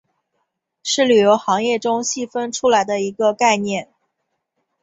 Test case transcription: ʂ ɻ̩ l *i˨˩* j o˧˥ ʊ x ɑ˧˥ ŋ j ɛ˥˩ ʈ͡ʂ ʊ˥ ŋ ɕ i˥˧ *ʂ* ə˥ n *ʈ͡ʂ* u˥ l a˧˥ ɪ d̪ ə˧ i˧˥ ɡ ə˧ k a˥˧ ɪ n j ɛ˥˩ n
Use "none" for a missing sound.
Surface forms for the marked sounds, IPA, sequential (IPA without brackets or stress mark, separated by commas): y˨˩, f, ʈ͡ʂʰ